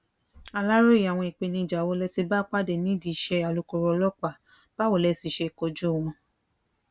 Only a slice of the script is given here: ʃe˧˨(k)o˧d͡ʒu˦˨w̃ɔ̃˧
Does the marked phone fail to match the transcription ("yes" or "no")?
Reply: no